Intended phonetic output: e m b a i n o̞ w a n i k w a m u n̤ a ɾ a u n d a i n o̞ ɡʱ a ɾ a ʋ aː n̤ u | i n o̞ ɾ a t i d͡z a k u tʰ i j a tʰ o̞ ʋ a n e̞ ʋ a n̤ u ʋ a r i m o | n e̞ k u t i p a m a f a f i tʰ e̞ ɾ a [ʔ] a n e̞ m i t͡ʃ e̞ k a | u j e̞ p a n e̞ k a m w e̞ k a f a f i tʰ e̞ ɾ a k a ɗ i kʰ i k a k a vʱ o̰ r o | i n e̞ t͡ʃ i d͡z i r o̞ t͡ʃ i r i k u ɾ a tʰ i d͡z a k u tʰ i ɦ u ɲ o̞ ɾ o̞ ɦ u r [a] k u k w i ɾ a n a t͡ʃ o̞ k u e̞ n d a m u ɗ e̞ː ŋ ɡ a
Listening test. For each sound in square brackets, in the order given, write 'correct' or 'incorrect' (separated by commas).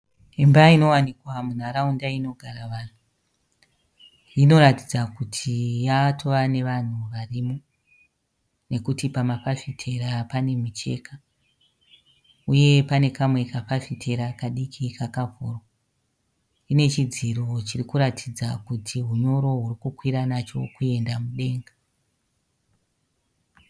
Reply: incorrect, incorrect